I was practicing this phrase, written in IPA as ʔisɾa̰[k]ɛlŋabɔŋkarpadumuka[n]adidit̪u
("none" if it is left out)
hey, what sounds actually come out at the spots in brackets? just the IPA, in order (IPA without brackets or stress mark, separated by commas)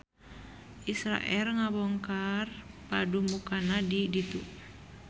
ʔ, n